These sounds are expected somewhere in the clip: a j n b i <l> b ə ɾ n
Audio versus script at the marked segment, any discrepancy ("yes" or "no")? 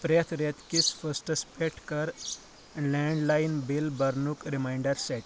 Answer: no